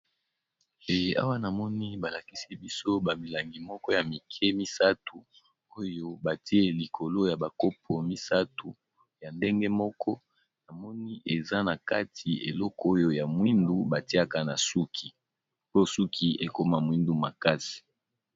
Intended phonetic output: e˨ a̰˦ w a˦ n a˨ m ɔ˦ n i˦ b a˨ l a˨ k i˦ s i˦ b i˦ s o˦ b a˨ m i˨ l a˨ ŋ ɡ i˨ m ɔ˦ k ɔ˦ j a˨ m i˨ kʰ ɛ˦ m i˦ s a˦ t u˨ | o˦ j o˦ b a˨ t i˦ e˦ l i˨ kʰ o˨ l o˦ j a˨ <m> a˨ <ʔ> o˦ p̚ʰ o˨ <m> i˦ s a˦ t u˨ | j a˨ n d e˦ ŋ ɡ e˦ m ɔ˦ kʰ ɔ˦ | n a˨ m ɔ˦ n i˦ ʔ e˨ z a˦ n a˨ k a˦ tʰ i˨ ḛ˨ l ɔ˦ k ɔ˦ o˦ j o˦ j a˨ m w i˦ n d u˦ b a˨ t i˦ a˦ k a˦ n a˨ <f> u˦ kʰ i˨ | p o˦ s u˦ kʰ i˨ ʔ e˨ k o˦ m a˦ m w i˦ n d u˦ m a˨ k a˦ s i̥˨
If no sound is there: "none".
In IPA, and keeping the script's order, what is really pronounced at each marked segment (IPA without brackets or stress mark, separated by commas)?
b, k, m, s